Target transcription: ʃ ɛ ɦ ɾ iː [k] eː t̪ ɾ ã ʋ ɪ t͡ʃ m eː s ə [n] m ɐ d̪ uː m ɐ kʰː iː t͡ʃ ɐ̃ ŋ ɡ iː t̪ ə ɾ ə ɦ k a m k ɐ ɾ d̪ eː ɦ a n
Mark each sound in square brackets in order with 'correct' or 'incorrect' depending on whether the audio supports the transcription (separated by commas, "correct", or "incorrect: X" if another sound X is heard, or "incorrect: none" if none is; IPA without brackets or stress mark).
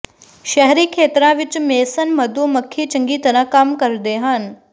incorrect: kʰ, correct